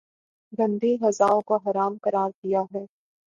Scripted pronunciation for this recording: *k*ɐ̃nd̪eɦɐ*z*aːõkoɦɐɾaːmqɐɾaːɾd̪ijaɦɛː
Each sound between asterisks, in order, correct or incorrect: incorrect: ɡ, correct

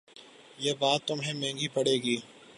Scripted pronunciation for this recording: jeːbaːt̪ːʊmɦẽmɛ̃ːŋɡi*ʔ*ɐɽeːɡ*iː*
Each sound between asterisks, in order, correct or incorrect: incorrect: p, correct

